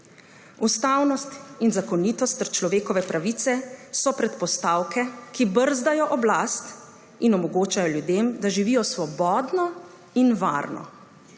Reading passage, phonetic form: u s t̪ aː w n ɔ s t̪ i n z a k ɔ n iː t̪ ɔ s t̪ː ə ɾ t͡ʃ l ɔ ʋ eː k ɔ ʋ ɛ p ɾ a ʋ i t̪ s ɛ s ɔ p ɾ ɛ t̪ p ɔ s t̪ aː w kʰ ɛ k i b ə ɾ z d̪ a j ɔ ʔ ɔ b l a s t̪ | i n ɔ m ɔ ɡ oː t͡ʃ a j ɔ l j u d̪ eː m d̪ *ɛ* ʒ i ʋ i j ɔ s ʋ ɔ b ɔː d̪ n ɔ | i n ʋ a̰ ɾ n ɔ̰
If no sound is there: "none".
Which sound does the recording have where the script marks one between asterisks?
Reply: a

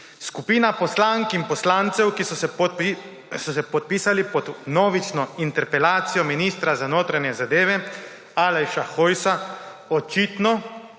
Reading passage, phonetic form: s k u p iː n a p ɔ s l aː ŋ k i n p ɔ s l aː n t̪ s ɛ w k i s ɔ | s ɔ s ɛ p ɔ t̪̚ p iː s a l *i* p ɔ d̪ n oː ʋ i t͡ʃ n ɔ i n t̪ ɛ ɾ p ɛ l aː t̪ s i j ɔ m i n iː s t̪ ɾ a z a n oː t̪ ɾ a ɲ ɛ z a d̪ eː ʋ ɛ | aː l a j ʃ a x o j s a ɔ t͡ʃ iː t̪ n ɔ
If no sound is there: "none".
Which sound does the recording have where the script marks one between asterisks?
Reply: i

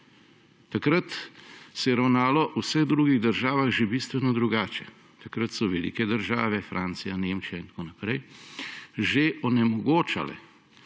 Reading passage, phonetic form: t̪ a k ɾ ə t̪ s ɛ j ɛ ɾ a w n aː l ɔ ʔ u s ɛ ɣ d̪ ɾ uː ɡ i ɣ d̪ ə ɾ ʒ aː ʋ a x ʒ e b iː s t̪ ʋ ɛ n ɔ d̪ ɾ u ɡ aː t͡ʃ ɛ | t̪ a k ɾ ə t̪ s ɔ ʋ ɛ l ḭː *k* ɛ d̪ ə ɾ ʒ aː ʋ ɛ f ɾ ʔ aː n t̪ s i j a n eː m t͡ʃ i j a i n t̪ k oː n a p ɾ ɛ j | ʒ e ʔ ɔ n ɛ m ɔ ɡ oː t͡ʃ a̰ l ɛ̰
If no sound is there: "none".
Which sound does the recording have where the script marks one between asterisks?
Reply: k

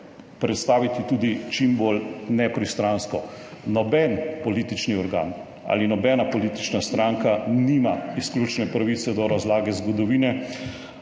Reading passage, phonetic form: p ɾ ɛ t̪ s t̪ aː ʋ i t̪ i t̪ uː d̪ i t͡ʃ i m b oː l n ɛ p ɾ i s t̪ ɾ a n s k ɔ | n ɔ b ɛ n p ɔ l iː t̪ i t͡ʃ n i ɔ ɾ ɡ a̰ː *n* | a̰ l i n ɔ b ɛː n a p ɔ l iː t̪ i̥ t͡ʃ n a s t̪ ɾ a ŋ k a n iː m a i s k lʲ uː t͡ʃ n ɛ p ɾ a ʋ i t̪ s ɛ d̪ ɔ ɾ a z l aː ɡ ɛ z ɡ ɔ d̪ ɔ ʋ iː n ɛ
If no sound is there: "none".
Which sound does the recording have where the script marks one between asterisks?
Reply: n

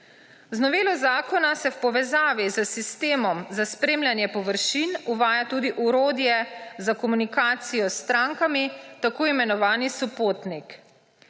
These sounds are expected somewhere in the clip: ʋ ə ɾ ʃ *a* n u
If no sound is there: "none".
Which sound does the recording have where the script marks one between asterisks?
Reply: i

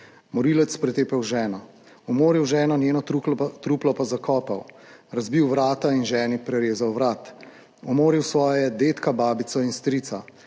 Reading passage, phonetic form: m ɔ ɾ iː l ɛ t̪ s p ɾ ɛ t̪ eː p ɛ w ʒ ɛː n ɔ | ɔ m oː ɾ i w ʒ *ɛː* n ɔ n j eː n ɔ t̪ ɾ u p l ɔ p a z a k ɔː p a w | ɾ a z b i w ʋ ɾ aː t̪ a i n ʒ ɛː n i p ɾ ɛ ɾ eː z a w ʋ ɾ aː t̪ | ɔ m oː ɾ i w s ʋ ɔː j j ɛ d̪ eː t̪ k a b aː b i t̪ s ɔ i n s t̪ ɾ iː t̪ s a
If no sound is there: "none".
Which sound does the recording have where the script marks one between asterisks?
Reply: ɛː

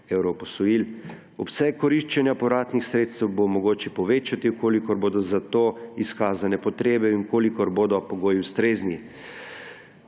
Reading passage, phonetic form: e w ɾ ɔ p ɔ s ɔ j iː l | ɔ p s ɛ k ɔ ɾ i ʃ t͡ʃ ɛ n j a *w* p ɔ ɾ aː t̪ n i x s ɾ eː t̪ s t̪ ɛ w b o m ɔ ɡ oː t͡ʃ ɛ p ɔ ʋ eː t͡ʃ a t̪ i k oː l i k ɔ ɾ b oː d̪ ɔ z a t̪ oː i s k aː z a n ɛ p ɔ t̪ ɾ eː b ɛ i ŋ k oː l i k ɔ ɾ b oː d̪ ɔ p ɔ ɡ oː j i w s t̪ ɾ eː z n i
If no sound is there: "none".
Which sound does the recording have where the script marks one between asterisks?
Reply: none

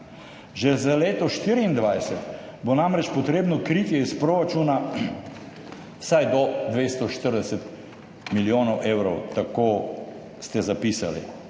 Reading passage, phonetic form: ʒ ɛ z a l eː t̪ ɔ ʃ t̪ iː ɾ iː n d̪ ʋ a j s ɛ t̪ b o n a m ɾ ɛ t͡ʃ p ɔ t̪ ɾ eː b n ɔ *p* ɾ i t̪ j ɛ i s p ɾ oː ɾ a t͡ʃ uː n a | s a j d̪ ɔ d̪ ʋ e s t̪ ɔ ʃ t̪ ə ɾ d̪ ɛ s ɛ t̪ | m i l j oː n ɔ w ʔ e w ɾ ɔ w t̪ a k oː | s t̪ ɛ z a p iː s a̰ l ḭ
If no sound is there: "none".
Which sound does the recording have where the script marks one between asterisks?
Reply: k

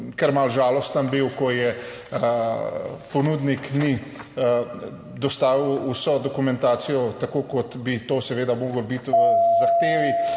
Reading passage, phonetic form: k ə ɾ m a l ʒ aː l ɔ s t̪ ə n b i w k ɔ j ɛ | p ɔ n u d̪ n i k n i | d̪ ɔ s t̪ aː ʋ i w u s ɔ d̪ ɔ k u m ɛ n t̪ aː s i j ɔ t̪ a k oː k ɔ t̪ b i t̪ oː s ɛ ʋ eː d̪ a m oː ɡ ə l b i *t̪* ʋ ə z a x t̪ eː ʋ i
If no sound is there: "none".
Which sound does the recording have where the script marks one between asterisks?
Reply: t̪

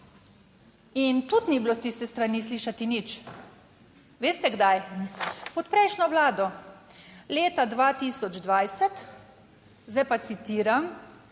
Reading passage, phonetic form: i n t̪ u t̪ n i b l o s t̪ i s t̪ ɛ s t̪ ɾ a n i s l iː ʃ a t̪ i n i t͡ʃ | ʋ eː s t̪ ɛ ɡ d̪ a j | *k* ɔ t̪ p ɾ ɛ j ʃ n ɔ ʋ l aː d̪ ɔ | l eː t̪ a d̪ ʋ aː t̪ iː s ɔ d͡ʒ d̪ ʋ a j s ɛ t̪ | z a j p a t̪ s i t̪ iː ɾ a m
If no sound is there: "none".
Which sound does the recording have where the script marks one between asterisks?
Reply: p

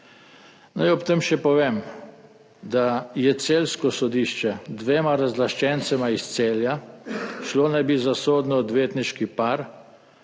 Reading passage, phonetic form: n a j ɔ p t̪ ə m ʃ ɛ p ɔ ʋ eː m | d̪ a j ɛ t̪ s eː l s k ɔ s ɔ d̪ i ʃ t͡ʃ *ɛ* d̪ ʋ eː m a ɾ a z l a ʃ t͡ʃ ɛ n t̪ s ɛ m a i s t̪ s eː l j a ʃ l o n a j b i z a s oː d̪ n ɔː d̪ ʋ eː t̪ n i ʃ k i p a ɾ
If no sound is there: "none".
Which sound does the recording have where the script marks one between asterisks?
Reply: ɛ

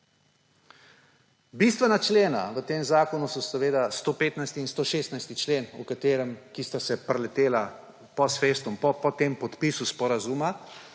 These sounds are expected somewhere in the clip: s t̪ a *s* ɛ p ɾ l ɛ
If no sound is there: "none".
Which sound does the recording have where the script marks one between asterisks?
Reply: s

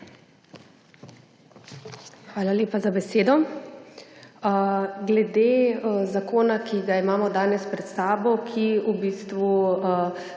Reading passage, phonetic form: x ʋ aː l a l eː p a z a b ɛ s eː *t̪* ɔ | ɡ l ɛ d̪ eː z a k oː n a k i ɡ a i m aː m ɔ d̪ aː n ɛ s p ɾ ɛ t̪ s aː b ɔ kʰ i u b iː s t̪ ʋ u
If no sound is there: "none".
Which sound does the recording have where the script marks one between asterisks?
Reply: d̪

